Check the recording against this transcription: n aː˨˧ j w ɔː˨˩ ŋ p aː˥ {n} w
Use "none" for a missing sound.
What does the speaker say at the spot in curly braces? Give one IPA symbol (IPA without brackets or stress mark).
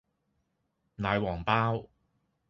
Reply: none